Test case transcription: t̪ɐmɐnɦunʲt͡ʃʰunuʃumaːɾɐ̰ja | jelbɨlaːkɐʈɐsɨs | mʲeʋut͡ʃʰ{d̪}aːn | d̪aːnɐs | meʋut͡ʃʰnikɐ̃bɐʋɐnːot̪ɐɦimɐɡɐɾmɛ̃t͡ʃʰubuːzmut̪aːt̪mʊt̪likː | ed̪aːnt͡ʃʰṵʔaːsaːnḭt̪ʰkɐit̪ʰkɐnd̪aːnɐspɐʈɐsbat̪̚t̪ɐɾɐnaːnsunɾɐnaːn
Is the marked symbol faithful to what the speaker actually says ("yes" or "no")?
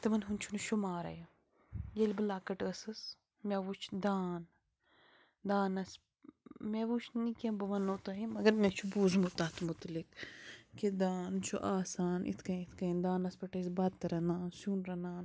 yes